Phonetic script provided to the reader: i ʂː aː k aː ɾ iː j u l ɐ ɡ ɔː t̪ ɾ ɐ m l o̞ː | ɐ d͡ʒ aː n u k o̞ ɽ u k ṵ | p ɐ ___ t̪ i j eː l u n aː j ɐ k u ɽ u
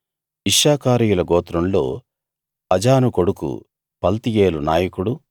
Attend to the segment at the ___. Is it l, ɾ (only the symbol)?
l